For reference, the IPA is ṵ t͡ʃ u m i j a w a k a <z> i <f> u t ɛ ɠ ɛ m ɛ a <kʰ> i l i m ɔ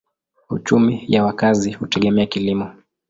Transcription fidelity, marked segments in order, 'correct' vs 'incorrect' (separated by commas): correct, incorrect, incorrect